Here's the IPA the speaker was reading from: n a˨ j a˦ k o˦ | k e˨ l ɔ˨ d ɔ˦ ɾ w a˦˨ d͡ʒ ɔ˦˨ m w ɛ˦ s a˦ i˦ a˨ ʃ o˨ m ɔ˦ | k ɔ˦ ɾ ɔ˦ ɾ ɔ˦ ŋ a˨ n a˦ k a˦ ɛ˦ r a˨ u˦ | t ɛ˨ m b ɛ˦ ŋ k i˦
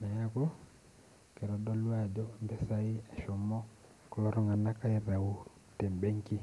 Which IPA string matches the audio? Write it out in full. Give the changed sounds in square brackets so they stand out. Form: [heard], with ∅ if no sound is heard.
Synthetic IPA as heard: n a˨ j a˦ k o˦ | k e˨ [ɾ] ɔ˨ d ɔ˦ [l] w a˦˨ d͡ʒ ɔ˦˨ m [b] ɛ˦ s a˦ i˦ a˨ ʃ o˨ m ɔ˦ | k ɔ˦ [l] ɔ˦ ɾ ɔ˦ ŋ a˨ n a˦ k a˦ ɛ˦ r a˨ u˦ | t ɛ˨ m b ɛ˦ ŋ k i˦